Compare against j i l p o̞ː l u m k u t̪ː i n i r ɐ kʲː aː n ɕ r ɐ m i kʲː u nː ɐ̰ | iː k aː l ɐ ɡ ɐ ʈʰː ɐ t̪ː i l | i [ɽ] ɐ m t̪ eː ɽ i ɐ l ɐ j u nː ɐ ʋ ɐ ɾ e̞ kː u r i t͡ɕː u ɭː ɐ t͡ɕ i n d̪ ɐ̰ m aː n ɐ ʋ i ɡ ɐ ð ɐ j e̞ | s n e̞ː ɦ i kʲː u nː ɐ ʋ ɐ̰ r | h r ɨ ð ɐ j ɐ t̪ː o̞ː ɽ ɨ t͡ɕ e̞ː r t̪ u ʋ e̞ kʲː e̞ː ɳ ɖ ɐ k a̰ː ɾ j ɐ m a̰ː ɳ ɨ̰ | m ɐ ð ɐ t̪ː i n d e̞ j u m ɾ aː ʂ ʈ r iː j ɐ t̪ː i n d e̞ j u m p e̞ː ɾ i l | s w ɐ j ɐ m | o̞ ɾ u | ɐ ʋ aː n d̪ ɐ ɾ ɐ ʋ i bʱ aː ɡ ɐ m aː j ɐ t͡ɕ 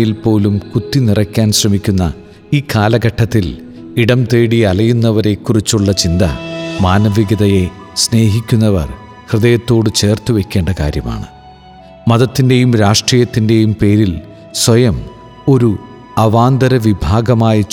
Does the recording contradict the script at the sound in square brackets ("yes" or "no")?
no